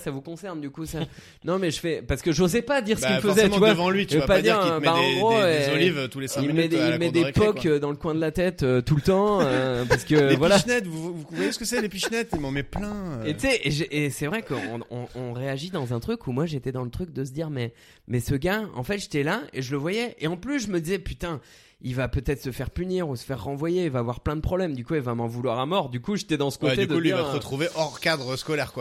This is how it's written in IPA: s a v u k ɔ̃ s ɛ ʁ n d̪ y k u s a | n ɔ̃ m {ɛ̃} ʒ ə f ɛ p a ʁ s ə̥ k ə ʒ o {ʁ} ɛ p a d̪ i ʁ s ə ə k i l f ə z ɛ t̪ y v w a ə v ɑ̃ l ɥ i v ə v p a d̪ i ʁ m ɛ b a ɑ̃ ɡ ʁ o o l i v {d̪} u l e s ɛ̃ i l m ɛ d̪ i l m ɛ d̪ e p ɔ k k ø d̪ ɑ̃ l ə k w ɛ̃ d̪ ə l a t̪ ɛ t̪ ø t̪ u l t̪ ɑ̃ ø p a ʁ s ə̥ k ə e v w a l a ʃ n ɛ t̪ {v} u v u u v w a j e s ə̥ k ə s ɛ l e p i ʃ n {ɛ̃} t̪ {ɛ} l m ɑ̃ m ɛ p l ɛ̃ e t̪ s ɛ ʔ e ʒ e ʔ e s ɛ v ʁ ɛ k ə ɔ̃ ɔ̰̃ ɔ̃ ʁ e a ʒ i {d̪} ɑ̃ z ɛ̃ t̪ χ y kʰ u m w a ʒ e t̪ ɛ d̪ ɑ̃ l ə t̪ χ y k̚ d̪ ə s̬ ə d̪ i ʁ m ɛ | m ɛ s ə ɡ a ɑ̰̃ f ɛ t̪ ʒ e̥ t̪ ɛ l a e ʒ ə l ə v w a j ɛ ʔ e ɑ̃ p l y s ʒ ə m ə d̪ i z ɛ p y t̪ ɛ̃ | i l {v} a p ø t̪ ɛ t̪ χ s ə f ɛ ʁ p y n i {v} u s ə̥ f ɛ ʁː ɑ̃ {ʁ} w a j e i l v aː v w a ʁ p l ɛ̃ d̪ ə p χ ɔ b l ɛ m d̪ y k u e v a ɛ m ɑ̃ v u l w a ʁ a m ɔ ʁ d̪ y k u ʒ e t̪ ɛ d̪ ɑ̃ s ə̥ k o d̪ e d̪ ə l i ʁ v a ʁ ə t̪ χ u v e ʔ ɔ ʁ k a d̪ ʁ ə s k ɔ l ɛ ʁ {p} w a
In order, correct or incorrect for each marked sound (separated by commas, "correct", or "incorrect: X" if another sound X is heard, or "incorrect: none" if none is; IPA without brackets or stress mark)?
incorrect: ɛ, incorrect: z, incorrect: t̪, correct, incorrect: ɛ, incorrect: i, correct, correct, incorrect: ʁ, incorrect: v, incorrect: k